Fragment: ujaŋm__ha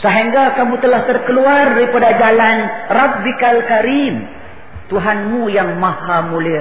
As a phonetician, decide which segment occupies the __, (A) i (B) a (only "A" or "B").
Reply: B